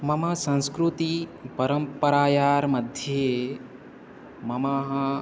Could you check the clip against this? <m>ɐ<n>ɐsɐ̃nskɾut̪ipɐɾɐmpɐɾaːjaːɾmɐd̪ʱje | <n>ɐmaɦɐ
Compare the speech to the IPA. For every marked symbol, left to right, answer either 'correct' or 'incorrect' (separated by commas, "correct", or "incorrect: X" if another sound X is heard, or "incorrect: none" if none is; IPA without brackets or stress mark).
correct, incorrect: m, incorrect: m